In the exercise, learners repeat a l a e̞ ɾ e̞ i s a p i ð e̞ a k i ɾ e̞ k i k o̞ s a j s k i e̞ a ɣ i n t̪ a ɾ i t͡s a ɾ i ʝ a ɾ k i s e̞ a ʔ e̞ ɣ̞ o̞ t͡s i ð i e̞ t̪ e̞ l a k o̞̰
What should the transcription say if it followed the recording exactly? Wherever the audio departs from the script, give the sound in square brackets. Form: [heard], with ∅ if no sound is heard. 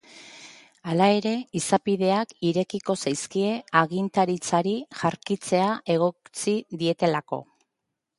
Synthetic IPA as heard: a l a e̞ ɾ e̞ i s a p i ð e̞ a k i ɾ e̞ k i k o̞ s a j s k i e̞ a ɣ i n t̪ a ɾ i t͡s a ɾ i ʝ a ɾ k i [t͡s] e̞ a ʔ e̞ ɣ̞ o̞ t͡s i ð i e̞ t̪ e̞ l a k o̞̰